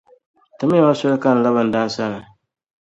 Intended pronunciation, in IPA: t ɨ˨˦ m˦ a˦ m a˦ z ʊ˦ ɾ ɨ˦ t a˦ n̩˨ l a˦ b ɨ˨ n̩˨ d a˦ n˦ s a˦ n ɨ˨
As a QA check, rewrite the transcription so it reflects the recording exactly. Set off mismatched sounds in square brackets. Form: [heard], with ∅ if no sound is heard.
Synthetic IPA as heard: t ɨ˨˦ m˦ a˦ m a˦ [s] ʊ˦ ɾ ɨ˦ [k] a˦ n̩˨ l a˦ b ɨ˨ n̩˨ d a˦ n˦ s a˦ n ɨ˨